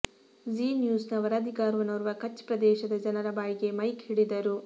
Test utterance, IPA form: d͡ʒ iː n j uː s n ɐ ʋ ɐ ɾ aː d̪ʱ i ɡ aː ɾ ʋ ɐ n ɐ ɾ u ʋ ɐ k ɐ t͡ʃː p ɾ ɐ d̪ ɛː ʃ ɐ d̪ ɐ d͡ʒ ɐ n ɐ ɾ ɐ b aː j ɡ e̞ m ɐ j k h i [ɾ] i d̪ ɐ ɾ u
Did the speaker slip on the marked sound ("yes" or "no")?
yes